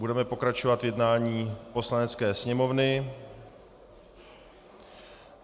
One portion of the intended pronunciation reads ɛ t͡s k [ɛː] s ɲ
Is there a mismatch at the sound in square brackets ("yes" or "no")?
no